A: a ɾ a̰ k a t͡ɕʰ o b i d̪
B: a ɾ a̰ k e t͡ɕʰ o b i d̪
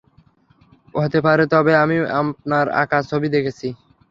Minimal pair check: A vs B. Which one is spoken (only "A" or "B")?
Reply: A